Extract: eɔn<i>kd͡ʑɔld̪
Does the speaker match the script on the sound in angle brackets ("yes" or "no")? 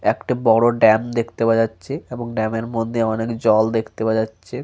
no